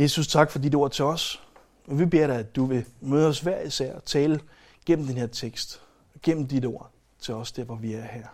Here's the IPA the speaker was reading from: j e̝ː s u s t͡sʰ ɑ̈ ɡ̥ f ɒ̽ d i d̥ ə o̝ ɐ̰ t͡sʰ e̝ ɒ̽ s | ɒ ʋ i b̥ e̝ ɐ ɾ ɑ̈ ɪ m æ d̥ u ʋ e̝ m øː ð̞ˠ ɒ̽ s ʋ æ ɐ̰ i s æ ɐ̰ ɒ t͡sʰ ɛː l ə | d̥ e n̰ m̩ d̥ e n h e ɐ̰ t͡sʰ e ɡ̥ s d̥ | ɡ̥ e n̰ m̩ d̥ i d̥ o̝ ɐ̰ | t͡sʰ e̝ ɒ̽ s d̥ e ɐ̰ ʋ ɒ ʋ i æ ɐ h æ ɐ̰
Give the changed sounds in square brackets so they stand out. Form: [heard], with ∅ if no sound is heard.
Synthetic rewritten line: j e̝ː s u s t͡sʰ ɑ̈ ɡ̥ f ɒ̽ d i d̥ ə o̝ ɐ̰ t͡sʰ e̝ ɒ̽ s | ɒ ʋ i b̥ e̝ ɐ ɾ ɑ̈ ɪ [∅] æ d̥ u ʋ e̝ m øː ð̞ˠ ɒ̽ s ʋ æ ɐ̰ i s æ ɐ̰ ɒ t͡sʰ ɛː l ə | [ɡ̥] e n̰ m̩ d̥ e n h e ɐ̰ t͡sʰ e ɡ̥ s d̥ | ɡ̥ e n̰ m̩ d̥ i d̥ o̝ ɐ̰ | t͡sʰ e̝ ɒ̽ s d̥ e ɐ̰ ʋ ɒ ʋ i æ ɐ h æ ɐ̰